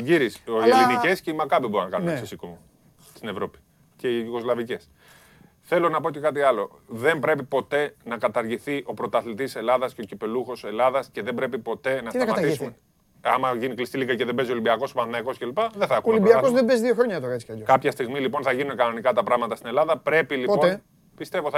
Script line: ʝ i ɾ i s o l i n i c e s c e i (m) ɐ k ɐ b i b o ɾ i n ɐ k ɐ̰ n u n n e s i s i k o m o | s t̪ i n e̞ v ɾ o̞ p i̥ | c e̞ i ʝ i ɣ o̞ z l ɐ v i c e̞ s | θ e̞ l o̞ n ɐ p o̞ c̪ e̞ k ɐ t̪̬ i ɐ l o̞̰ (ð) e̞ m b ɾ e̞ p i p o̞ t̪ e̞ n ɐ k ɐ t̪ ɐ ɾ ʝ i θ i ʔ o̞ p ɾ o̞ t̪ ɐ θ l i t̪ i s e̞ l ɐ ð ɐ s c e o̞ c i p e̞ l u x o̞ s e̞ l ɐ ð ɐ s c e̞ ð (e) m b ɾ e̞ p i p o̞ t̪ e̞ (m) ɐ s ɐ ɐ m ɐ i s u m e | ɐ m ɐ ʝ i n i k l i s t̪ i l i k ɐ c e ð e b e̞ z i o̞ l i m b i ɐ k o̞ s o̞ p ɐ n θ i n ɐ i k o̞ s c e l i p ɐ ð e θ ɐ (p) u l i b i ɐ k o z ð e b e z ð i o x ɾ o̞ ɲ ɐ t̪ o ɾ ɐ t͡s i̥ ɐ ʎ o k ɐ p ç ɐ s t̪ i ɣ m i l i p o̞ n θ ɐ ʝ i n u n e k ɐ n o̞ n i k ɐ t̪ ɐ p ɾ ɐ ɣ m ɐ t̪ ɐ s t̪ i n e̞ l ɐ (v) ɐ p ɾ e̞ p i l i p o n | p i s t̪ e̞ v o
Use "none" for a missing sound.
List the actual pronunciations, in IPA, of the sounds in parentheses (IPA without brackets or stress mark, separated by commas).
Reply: m, ð, e, n, k, ð